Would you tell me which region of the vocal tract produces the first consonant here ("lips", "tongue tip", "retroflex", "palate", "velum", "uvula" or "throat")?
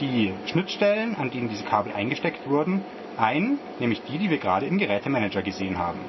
tongue tip